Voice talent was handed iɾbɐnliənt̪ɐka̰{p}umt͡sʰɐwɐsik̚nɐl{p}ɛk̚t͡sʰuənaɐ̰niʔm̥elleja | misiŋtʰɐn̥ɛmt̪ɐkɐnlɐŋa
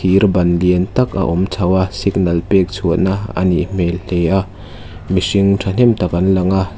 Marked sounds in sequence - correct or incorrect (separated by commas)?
incorrect, correct